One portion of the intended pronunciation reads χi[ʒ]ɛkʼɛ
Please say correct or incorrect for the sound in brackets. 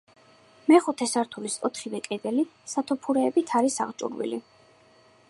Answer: incorrect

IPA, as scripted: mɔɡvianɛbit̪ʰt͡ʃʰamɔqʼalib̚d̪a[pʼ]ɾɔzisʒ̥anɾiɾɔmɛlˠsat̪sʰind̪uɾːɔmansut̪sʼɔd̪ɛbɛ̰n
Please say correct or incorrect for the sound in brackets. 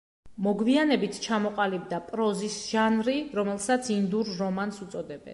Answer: correct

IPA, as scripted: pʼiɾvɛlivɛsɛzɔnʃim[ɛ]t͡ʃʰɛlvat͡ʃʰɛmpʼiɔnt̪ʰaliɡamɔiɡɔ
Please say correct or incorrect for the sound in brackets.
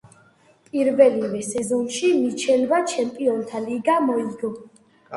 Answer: incorrect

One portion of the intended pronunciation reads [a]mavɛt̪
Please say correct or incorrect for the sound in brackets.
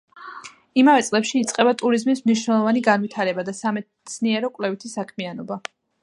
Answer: incorrect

